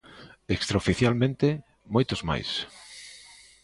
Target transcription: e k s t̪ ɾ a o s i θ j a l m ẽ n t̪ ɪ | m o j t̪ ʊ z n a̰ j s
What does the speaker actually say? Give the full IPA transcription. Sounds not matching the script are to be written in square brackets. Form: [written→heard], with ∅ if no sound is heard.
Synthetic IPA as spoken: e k s t̪ ɾ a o [s→f] i θ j a l m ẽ n t̪ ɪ | m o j t̪ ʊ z [n→m] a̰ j s